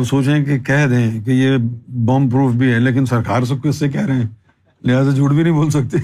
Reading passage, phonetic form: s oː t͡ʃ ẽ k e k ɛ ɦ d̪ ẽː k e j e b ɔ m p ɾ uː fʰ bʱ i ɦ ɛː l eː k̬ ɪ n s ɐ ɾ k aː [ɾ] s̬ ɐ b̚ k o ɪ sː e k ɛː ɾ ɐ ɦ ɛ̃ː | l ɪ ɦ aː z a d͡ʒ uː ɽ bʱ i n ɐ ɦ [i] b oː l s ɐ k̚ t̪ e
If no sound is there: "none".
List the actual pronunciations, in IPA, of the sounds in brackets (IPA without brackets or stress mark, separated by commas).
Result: ɾ, ĩ